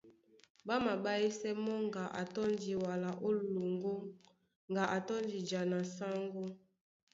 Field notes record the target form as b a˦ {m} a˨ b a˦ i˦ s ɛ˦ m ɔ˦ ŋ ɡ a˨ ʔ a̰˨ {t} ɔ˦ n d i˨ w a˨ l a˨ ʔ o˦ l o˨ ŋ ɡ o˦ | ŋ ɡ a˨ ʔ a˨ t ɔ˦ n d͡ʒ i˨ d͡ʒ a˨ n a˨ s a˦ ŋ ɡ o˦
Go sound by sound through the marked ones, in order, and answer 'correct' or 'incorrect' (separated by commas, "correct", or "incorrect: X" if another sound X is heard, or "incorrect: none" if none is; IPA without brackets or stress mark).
correct, correct